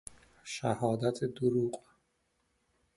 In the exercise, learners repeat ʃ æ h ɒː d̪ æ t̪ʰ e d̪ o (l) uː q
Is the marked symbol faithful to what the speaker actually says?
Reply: no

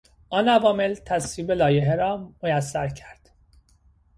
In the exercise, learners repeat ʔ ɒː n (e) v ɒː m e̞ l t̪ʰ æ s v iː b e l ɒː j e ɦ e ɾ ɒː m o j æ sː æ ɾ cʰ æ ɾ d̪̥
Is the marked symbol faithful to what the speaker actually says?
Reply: no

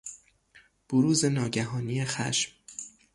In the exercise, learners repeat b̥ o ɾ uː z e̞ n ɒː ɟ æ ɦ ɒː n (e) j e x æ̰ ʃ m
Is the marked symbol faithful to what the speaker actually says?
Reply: no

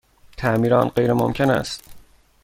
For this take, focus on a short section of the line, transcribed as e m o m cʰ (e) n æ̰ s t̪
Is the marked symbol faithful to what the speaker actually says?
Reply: yes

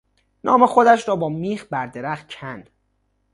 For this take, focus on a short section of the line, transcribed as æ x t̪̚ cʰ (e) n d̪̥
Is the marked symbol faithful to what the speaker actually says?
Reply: no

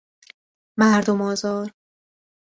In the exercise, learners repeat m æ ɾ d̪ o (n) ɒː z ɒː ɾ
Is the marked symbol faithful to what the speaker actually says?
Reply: no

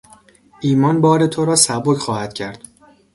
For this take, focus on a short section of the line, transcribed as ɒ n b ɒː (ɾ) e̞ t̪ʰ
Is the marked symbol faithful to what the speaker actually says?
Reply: yes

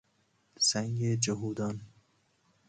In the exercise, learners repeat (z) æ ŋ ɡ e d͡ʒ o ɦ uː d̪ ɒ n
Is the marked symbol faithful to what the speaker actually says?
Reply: no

